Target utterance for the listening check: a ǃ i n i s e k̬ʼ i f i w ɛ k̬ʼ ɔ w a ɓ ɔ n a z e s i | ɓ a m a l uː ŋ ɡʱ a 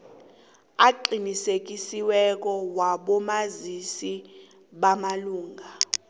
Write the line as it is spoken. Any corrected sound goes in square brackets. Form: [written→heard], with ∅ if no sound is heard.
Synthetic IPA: a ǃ i n i s e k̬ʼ i [f→s] i w ɛ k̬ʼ ɔ w a ɓ ɔ [n→m] a z [e→i] s i | ɓ a m a l uː ŋ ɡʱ a